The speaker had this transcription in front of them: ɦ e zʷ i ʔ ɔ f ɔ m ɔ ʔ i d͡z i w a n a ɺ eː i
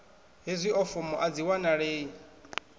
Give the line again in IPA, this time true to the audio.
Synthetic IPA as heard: ɦ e zʷ i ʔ ɔ f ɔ m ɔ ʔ a d͡z i w a n a ɺ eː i